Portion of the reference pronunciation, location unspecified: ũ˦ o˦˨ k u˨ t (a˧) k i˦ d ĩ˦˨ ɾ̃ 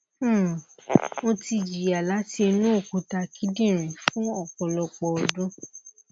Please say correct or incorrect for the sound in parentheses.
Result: correct